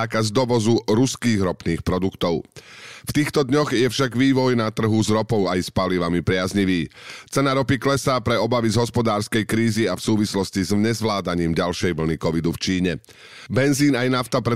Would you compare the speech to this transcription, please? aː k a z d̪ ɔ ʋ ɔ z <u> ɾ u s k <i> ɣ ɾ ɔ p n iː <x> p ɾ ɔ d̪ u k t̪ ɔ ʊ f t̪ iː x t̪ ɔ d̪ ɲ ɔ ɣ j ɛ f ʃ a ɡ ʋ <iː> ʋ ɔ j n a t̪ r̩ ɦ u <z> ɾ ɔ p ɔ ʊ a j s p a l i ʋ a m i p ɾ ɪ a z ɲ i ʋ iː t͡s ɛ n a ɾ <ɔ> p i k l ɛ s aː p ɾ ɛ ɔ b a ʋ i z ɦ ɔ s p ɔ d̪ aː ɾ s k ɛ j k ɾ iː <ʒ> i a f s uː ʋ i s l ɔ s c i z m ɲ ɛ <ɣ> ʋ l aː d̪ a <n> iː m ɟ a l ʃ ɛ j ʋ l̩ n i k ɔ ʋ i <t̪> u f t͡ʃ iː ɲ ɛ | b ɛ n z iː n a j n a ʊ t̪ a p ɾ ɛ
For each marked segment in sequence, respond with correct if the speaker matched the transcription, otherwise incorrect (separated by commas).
correct, incorrect, correct, correct, correct, correct, incorrect, incorrect, incorrect, incorrect